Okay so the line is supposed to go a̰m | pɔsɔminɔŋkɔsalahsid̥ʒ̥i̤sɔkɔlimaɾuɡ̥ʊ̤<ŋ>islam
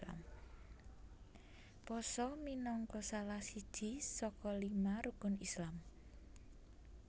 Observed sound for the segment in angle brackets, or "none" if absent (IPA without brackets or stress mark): n